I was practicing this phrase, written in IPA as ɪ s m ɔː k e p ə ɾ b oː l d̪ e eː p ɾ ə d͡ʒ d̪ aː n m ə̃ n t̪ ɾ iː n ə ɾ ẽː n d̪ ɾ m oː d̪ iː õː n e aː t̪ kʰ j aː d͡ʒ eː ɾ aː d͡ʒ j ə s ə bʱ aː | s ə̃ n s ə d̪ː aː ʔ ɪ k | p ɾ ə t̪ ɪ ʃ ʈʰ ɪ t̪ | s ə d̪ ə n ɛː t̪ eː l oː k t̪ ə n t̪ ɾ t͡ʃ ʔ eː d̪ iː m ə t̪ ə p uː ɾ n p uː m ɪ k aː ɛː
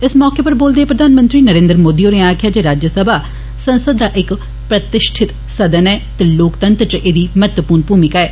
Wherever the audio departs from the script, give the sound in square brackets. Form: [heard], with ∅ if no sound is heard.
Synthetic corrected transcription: ɪ s m ɔː k e p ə ɾ b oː l d̪ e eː p ɾ ə [∅] d̪ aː n m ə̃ n t̪ ɾ iː n ə ɾ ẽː n d̪ ɾ m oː d̪ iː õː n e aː [∅] kʰ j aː d͡ʒ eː ɾ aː d͡ʒ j ə s ə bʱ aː | s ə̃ n s ə d̪ː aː ʔ ɪ k | p ɾ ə t̪ ɪ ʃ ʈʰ ɪ t̪ | s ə d̪ ə n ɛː t̪ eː l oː k t̪ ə n t̪ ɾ t͡ʃ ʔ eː d̪ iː m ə t̪ ə p uː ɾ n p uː m ɪ k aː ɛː

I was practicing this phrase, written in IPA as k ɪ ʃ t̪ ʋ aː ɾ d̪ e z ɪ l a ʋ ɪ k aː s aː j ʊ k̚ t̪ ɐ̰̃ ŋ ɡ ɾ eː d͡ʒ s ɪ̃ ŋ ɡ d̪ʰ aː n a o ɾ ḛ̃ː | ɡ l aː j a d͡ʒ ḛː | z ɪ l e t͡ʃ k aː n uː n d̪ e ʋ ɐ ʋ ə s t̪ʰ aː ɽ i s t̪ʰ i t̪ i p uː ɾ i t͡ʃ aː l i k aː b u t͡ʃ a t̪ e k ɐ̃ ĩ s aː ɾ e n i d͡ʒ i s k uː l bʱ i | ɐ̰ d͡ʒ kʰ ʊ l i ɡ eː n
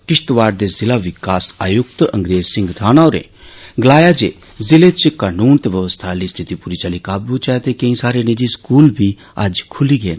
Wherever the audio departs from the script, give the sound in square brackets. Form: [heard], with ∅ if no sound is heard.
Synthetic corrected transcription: k ɪ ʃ t̪ ʋ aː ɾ d̪ e z ɪ l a ʋ ɪ k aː s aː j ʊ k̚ t̪ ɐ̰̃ ŋ ɡ ɾ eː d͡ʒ s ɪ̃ ŋ ɡ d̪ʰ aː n a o ɾ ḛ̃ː | ɡ l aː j a d͡ʒ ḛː | z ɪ l e t͡ʃ k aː n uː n [t̪] e ʋ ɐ ʋ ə s t̪ʰ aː [l] i s t̪ʰ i t̪ i p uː ɾ i t͡ʃ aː l i k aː b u t͡ʃ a t̪ e k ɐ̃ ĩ s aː ɾ e n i d͡ʒ i s k uː l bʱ i | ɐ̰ d͡ʒ kʰ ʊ l i ɡ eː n

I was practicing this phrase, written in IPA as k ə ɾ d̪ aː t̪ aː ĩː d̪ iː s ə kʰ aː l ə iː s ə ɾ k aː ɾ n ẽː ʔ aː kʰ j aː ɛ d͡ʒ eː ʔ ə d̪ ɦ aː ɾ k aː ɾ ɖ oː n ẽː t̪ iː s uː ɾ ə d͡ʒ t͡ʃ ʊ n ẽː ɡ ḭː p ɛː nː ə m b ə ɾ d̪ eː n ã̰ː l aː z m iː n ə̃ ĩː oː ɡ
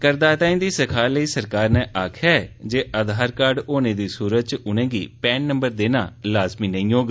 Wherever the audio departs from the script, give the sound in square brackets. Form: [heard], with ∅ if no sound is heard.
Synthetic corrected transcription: k ə ɾ d̪ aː t̪ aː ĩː d̪ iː s ə kʰ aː l ə iː s ə ɾ k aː ɾ n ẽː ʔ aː kʰ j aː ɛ d͡ʒ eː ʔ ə d̪ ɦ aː ɾ k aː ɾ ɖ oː n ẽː [d̪] iː s uː ɾ ə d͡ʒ t͡ʃ ʊ n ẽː ɡ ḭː p ɛː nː ə m b ə ɾ d̪ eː n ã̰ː l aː z m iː n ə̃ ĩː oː ɡ

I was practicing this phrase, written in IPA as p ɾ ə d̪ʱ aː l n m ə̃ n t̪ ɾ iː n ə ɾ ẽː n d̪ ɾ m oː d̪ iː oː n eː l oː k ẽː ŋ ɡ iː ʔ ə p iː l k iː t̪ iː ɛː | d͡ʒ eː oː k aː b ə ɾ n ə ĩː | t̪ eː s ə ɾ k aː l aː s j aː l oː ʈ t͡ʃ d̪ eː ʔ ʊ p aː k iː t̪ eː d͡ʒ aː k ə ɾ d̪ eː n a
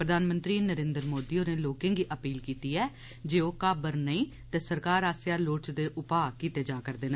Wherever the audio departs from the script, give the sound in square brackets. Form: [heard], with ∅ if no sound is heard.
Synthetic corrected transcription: p ɾ ə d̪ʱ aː [∅] n m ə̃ n t̪ ɾ iː n ə ɾ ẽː n d̪ ɾ m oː d̪ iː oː n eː l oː k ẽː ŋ ɡ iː ʔ ə p iː l k iː t̪ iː ɛː | d͡ʒ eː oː k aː b ə ɾ n ə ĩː | t̪ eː s ə ɾ k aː [ɾ] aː s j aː l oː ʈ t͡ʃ d̪ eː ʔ ʊ p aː k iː t̪ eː d͡ʒ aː k ə ɾ d̪ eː n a

